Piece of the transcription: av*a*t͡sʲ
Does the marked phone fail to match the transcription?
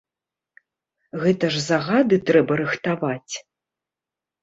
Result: no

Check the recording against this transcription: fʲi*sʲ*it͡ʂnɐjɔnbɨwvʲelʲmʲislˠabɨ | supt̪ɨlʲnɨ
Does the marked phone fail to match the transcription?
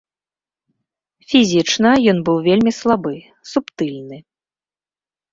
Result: yes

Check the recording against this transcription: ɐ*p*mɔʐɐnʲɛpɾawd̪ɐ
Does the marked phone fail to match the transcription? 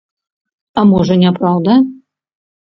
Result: yes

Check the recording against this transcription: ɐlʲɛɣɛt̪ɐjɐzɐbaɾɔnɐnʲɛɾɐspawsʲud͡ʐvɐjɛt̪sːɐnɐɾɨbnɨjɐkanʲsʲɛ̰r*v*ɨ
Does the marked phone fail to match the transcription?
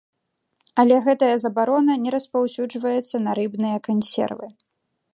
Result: no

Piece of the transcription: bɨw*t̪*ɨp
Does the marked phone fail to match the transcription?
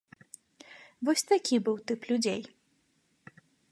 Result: no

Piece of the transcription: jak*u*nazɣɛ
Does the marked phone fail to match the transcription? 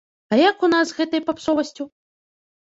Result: no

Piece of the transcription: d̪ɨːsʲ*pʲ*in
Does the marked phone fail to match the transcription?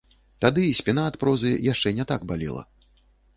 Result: no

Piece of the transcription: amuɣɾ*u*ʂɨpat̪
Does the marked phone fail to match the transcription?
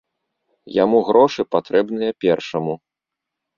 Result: yes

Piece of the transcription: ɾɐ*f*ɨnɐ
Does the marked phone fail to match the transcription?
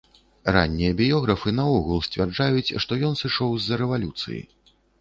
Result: no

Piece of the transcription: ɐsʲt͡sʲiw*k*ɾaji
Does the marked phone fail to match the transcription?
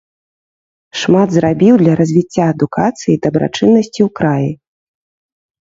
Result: no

